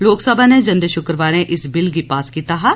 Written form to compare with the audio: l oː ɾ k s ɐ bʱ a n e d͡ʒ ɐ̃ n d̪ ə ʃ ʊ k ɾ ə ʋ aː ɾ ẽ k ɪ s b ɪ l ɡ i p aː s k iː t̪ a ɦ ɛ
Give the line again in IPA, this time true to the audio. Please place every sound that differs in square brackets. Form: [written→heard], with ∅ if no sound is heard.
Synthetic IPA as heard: l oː [ɾ→∅] k s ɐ bʱ a n e d͡ʒ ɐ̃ n d̪ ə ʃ ʊ k ɾ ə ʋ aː ɾ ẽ [k→ʔ] ɪ s b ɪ l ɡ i p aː s k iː t̪ a ɦ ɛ